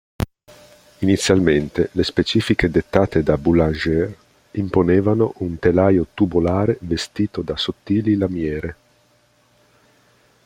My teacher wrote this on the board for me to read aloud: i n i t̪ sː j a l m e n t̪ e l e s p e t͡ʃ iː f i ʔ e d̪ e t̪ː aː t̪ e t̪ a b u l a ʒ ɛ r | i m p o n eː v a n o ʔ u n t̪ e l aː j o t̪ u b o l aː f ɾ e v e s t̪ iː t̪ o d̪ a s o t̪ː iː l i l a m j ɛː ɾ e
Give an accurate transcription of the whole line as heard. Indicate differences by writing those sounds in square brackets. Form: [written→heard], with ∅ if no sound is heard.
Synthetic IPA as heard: i n i t̪ sː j a l m e n t̪ e l e s p e t͡ʃ iː f i [ʔ→k] e d̪ e t̪ː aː t̪ e [t̪→d̪] a b u l a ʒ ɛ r | i m p o n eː v a n o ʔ u n t̪ e l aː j o t̪ u b o l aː [f→∅] ɾ e v e s t̪ iː t̪ o d̪ a s o t̪ː iː l i l a m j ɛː ɾ e